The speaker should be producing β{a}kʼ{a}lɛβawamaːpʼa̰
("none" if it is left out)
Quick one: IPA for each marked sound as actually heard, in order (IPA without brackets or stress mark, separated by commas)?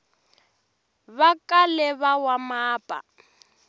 a, a